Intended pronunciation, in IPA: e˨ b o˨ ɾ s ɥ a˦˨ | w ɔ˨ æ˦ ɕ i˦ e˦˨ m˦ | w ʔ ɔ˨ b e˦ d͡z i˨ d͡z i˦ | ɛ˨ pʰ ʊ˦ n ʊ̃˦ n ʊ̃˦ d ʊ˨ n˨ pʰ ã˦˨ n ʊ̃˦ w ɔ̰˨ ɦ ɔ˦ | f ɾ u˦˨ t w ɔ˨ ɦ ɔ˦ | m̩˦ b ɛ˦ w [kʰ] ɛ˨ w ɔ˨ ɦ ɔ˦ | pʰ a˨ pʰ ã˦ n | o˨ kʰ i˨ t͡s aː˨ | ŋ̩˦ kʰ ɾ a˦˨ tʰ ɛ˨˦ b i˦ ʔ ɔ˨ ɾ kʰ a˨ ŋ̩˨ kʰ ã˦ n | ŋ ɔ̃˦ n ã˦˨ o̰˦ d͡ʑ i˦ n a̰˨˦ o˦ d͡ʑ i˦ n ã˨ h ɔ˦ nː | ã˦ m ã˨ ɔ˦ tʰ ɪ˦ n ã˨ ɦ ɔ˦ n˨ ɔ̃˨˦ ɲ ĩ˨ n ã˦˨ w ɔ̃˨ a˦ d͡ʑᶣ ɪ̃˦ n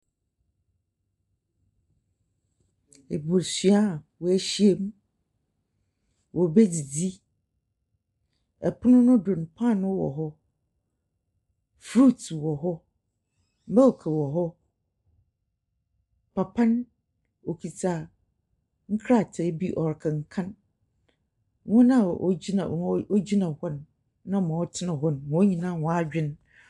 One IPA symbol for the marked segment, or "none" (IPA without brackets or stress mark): kʰ